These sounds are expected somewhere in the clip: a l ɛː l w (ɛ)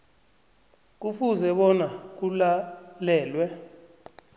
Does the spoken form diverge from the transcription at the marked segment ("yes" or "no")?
no